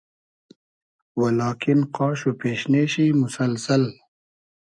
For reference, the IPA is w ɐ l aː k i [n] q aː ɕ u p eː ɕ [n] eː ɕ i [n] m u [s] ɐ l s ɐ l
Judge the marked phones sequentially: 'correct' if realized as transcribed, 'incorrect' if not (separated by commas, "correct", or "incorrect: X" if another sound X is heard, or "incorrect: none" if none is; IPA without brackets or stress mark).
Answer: correct, correct, incorrect: none, correct